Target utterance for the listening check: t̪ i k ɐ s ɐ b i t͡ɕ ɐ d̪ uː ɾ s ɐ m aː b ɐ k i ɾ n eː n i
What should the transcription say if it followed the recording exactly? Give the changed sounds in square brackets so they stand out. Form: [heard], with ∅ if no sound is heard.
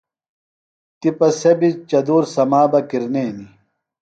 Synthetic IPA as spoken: t̪ i [p] ɐ s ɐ b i t͡ɕ ɐ d̪ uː ɾ s ɐ m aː b ɐ k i ɾ n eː n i